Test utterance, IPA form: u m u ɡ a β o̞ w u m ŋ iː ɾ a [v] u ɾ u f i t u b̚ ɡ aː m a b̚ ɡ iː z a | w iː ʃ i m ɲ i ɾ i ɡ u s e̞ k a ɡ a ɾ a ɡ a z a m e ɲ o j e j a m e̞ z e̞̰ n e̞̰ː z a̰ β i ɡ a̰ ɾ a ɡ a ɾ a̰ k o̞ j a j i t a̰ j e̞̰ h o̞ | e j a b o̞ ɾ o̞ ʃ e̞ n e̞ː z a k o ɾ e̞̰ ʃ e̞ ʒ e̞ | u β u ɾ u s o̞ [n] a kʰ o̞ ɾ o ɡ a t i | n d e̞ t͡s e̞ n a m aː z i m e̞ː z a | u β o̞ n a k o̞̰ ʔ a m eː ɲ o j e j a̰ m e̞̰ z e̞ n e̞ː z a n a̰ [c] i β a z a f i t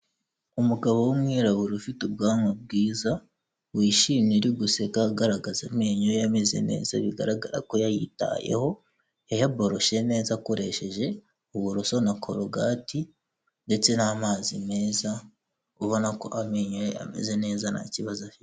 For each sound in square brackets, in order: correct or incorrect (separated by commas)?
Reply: incorrect, correct, correct